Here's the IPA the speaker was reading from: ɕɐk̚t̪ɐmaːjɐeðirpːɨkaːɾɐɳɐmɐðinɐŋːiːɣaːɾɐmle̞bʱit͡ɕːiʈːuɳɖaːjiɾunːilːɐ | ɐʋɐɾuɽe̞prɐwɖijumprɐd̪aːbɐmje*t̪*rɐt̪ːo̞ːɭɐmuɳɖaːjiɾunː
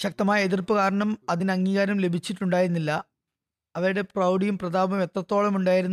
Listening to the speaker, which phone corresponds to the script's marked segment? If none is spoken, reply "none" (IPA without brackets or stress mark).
t̪